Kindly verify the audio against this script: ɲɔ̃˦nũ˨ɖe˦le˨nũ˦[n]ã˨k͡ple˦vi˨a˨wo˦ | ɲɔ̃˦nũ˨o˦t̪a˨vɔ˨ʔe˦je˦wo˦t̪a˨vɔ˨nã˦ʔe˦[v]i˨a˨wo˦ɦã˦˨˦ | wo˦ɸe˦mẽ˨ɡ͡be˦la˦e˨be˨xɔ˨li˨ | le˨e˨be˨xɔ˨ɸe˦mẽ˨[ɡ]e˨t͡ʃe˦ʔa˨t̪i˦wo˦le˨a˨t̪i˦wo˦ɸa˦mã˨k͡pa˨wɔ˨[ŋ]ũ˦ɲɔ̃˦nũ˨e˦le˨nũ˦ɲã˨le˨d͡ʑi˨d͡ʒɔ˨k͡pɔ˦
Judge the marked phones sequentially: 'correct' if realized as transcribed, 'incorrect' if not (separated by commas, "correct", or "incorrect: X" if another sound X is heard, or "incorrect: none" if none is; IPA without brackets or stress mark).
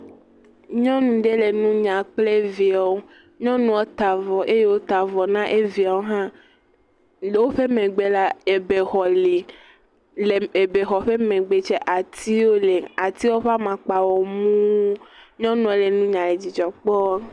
incorrect: ɲ, correct, incorrect: ɡ͡b, incorrect: m